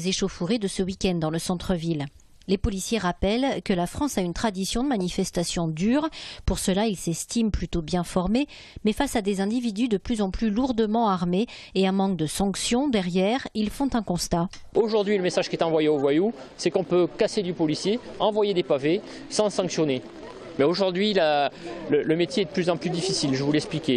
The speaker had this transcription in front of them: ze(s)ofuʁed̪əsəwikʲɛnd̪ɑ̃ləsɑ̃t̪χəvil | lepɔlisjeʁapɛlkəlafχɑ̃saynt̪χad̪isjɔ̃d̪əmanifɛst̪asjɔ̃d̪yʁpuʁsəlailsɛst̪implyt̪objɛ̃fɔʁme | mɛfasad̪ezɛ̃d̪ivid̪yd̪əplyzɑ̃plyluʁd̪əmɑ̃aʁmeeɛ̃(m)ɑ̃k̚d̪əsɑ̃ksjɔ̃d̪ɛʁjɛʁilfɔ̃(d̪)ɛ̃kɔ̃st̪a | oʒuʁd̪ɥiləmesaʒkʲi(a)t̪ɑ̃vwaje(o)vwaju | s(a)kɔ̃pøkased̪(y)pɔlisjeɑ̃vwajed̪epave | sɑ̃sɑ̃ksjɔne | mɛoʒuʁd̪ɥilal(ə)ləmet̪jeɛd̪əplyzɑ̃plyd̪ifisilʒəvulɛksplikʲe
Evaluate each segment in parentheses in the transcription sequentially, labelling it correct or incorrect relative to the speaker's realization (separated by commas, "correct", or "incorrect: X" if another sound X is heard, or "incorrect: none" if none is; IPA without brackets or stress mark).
incorrect: ʃ, correct, incorrect: t̪, incorrect: ɛ, correct, incorrect: ɛ, correct, correct